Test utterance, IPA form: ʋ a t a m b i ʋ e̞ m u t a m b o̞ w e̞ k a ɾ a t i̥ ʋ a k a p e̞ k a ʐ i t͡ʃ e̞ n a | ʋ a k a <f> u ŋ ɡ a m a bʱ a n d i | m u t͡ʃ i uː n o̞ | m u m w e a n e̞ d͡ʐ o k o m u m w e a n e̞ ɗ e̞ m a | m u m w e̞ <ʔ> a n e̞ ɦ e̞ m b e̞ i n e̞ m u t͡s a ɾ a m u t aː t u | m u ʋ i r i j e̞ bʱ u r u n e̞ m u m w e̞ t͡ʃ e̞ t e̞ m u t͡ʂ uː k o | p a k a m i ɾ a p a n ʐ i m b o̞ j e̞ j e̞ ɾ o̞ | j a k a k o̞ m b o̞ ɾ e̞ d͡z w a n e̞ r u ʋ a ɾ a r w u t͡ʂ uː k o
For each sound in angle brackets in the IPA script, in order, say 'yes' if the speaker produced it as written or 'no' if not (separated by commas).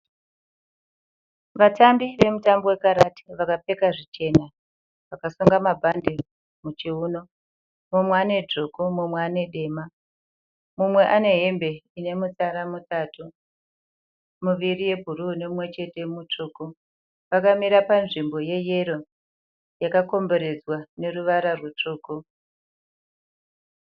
no, yes